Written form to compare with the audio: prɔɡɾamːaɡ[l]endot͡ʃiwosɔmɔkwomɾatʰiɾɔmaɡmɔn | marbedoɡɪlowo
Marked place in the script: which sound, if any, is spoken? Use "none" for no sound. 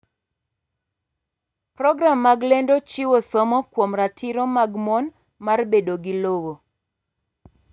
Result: l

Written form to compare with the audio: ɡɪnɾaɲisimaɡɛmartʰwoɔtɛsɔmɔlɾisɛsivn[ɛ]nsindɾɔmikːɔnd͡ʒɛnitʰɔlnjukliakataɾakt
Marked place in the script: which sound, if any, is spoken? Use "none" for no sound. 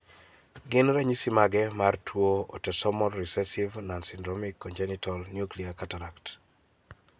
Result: a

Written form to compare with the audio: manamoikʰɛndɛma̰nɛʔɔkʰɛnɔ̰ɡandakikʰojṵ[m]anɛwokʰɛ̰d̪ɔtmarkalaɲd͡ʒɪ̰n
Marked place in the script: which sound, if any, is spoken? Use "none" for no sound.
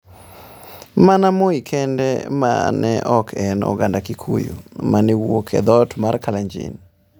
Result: m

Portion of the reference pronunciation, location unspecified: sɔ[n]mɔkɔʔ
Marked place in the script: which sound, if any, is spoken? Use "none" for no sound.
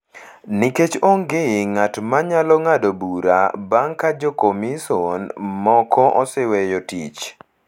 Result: n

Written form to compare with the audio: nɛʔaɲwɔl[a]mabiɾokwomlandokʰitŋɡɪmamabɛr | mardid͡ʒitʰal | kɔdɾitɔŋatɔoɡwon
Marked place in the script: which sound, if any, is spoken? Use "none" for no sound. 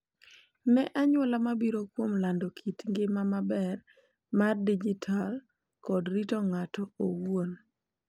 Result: a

